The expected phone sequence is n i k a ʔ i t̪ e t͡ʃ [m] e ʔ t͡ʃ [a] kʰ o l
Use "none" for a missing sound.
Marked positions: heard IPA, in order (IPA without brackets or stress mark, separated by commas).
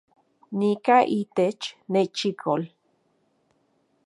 n, i